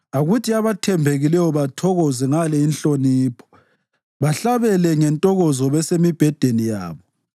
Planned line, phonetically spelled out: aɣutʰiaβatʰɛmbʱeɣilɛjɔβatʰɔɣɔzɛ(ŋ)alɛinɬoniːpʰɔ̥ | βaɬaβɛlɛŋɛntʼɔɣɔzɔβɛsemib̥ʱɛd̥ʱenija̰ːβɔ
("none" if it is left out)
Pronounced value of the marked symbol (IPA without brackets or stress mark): ŋ